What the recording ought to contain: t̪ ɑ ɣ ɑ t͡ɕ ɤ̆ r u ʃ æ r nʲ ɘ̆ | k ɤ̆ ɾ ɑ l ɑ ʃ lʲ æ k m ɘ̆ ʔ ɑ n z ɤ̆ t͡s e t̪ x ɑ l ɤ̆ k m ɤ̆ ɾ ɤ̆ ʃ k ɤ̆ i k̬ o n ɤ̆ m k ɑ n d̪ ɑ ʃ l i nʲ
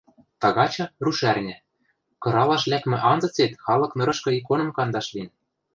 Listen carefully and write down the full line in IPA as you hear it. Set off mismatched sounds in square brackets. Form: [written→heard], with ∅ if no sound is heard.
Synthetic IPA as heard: t̪ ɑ ɣ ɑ t͡ɕ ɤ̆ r u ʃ æ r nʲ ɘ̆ | k ɤ̆ ɾ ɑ l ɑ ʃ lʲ æ k m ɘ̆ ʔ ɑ n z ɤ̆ t͡s e t̪ x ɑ l ɤ̆ k [m→n] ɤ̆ ɾ ɤ̆ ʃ k ɤ̆ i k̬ o n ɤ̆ m k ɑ n d̪ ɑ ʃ l i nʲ